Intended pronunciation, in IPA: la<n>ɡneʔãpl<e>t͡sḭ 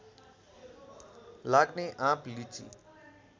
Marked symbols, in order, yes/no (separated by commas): no, no